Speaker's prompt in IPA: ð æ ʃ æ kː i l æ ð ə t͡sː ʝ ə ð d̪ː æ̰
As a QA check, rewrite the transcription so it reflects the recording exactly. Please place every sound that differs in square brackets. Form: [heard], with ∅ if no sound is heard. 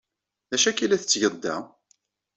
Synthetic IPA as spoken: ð æ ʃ æ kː i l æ [θ] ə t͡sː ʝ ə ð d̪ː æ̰